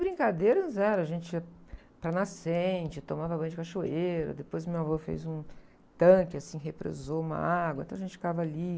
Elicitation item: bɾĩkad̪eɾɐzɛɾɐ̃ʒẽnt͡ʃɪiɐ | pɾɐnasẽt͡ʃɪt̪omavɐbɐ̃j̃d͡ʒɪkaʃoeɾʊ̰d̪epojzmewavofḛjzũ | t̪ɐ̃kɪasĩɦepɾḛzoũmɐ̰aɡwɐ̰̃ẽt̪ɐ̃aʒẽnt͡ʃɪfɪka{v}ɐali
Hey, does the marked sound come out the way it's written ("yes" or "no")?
yes